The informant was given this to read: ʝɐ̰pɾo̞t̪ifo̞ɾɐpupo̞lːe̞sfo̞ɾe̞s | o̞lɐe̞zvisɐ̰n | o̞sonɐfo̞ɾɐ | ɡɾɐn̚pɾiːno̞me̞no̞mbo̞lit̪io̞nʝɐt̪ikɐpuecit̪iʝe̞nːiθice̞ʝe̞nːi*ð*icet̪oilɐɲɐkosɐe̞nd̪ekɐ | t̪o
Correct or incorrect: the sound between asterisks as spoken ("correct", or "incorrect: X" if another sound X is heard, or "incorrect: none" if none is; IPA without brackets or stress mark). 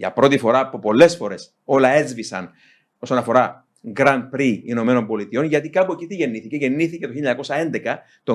incorrect: θ